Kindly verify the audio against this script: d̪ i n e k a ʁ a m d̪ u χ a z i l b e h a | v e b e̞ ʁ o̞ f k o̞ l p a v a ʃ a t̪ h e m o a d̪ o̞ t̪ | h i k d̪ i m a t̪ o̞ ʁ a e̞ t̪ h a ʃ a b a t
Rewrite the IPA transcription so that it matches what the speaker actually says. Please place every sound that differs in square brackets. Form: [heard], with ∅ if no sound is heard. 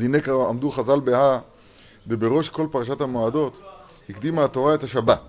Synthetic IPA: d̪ i n e k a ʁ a m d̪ u χ a z [a] l b e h a | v e b e̞ ʁ o̞ [ʃ] k o̞ l p a [ʁ] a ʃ a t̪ h [a] m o a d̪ o̞ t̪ | h i k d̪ i m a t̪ o̞ ʁ a e̞ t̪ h a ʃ a b a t